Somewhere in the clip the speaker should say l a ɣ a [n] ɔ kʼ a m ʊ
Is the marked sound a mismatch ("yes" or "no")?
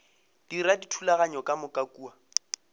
yes